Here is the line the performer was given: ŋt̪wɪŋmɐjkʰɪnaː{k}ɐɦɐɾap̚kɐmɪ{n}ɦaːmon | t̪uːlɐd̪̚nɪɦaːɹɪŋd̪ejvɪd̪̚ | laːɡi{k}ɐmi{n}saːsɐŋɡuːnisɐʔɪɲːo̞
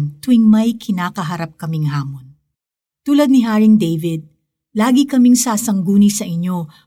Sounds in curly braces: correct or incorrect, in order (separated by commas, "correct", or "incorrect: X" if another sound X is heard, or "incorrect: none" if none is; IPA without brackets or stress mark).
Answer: correct, incorrect: ŋ, correct, incorrect: ŋ